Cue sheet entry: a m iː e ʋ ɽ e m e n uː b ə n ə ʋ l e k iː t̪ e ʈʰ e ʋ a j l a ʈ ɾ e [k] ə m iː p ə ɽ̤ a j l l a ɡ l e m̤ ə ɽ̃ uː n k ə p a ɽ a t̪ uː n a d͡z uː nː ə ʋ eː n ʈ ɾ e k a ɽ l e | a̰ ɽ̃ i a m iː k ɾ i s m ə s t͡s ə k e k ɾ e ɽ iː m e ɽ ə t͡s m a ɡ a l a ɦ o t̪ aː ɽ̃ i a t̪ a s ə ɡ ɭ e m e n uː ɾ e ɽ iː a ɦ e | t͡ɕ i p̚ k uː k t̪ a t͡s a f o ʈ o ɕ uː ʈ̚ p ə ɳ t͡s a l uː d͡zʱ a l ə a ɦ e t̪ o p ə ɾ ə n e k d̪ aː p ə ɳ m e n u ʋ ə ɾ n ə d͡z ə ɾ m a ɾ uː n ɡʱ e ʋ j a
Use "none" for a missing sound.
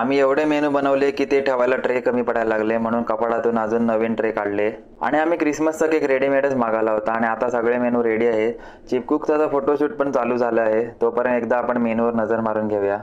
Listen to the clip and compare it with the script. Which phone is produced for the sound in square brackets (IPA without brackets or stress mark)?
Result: k